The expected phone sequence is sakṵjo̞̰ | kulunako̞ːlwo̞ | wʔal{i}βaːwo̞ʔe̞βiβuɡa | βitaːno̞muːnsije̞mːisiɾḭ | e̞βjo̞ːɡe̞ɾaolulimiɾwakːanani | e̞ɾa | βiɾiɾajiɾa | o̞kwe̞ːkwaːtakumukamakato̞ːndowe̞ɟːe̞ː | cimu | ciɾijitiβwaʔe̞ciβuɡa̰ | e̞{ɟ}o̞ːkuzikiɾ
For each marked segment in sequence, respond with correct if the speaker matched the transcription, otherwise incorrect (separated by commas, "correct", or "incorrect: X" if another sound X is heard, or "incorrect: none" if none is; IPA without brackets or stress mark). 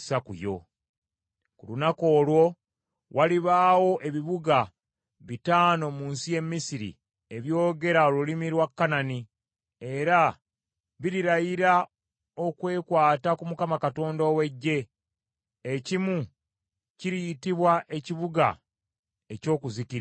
correct, incorrect: c